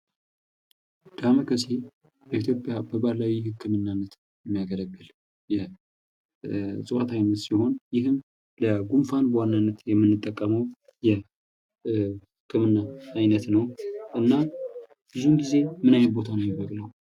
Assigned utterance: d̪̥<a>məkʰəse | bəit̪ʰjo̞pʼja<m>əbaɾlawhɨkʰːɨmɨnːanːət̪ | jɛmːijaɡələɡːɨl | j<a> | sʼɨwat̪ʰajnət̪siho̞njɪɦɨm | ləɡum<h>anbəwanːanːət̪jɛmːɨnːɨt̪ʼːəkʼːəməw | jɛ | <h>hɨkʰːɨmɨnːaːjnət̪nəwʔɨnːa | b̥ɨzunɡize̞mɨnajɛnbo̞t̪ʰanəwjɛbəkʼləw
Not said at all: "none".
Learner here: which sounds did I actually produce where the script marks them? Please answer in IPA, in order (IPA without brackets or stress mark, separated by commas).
a, b, ɛ, f, h